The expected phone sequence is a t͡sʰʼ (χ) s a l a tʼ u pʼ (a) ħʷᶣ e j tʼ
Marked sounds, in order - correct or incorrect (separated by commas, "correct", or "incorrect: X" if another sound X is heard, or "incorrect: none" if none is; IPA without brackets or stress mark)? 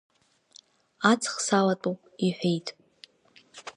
correct, incorrect: i